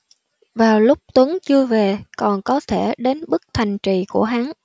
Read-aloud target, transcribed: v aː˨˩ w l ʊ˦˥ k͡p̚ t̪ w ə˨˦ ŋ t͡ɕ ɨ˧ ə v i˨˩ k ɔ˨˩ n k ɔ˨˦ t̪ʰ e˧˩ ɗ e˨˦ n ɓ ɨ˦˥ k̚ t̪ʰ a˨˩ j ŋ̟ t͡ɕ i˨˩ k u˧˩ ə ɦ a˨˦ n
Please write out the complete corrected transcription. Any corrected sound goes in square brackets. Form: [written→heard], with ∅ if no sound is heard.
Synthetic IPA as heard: v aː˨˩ w l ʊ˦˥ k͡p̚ t̪ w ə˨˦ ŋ t͡ɕ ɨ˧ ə v [i˨˩→e˨˩] k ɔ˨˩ n k ɔ˨˦ t̪ʰ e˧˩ ɗ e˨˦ n ɓ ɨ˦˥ k̚ t̪ʰ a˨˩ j ŋ̟ t͡ɕ i˨˩ k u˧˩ ə ɦ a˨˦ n